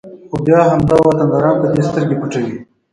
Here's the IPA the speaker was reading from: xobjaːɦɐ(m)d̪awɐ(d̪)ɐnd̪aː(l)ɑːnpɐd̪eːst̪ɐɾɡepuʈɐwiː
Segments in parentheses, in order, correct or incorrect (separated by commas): correct, incorrect, incorrect